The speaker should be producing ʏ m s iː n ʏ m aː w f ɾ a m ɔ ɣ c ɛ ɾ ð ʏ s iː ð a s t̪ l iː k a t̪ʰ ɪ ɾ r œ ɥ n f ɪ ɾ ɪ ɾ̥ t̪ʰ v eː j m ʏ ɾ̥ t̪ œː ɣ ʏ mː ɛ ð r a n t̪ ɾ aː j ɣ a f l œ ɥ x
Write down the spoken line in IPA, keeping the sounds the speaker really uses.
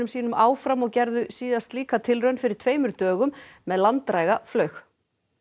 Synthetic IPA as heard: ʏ m s iː n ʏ m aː w f ɾ a m ɔ ɣ c ɛ ɾ ð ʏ s iː ð a s t̪ l iː k a t̪ʰ ɪ l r œ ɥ n f ɪ ɾ ɪ ɾ̥ t̪ʰ v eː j m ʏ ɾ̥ t̪ œː ɣ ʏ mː ɛ ð l a n t̪ ɾ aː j ɣ a f l œ ɥ x